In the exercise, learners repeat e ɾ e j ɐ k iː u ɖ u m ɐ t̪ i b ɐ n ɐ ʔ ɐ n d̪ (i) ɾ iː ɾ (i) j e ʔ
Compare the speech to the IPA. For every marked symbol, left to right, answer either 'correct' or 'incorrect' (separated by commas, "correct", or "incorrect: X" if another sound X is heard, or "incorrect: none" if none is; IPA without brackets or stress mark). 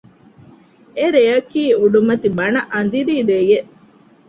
correct, incorrect: e